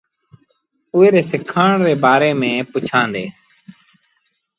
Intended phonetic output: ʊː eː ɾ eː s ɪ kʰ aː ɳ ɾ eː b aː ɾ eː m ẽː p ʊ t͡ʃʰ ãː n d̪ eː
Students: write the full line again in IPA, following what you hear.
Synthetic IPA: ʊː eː ɾ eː s ɪ kʰ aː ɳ ɾ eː b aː ɾ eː m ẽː p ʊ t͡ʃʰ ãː n d̪ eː